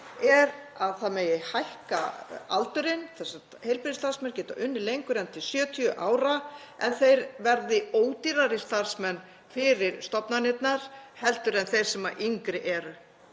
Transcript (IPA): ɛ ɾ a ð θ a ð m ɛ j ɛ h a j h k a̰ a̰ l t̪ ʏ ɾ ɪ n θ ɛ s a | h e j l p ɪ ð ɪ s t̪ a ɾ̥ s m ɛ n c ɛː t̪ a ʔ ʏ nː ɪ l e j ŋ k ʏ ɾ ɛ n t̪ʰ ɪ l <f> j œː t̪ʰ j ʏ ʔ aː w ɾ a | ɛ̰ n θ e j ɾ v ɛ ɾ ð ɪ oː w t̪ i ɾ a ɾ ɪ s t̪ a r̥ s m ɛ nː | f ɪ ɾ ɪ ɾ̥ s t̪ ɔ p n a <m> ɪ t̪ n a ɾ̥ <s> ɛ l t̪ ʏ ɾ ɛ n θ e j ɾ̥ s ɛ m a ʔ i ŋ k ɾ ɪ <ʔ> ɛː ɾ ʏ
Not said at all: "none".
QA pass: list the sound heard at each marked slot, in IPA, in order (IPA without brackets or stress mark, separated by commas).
s, n, h, ʔ